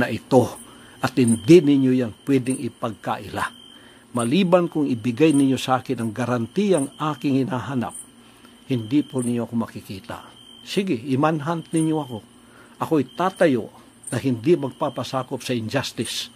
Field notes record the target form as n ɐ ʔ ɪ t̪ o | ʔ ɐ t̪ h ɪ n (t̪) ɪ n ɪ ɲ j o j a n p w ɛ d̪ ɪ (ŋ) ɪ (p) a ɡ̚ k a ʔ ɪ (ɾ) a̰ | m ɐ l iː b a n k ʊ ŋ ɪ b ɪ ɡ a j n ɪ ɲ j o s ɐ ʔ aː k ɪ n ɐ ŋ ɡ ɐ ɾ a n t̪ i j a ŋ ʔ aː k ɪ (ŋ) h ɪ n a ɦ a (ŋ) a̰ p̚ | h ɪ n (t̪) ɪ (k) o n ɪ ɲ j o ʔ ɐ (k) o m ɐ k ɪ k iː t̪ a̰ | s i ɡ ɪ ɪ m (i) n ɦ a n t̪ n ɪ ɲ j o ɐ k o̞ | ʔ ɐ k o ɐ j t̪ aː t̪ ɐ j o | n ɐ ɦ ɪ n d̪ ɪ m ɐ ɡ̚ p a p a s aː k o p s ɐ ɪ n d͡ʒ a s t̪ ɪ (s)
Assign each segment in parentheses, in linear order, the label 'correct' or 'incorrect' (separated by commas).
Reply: incorrect, correct, correct, incorrect, correct, incorrect, incorrect, incorrect, correct, incorrect, correct